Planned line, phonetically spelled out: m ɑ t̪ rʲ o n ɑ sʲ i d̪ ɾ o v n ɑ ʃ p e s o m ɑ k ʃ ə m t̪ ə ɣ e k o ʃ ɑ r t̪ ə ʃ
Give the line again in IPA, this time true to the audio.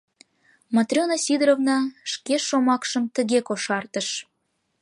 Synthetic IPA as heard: m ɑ t̪ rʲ o n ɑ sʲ i d̪ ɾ o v n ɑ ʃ k e ʃ o m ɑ k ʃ ə m t̪ ə ɣ e k o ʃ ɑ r t̪ ə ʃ